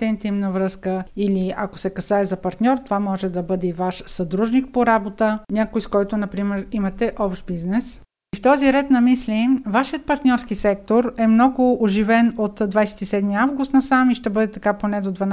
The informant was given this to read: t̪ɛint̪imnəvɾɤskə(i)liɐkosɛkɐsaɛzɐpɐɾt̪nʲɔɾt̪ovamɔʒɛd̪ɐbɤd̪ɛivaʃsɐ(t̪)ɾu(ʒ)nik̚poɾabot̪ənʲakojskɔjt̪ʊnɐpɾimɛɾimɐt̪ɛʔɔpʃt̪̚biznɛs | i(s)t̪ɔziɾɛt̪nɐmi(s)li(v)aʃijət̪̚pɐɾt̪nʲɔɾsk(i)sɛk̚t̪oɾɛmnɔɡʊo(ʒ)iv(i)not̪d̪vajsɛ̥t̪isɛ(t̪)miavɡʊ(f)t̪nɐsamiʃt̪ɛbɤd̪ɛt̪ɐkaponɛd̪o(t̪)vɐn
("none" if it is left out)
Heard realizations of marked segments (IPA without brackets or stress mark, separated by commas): i, d̪, ʒ, f, s, v, i, ʒ, ɛ, d̪, s, d̪